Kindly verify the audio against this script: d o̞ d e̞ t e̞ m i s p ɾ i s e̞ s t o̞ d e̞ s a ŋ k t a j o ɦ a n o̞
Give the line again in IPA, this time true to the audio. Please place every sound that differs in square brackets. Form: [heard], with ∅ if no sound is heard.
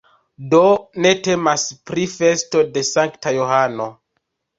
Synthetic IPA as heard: d o̞ [n] e̞ t e̞ m [a] s p ɾ i [f] e̞ s t o̞ d e̞ s a ŋ k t a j o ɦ a n o̞